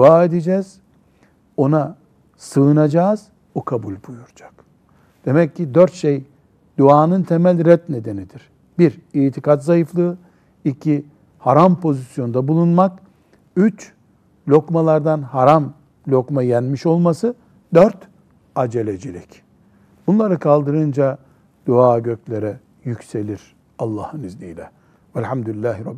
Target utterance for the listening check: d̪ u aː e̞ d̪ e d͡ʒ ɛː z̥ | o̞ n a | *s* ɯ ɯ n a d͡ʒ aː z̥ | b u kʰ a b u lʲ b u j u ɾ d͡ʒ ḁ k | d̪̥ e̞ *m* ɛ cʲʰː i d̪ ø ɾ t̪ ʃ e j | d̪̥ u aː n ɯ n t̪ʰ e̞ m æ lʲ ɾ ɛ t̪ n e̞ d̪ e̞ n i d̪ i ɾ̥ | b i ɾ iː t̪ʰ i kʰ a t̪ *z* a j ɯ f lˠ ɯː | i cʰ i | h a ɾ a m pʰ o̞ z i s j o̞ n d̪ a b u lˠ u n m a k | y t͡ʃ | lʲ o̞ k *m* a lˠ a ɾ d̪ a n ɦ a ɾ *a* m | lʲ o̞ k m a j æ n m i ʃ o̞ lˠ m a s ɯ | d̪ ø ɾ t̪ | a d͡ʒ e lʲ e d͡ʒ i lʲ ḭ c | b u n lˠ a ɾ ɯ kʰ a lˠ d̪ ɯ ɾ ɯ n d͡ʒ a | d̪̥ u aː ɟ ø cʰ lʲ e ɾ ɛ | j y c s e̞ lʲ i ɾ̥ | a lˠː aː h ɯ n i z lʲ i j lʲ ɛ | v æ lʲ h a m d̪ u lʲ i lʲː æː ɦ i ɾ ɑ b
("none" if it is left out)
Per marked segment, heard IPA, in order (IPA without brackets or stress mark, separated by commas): s, m, z, m, a